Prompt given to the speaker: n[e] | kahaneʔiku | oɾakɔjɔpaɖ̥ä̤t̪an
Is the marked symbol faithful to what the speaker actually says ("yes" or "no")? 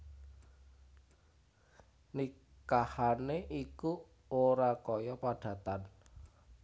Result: no